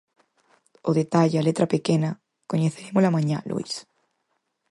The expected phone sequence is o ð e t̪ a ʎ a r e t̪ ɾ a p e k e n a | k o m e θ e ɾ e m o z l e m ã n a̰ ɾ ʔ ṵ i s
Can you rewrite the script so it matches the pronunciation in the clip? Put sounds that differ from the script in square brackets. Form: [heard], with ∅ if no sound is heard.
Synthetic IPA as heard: o ð e t̪ a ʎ a [l] e t̪ ɾ a p e k e n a | k o [ɲ] e θ e ɾ e m o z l [a] m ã [ɲ] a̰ [l] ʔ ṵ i s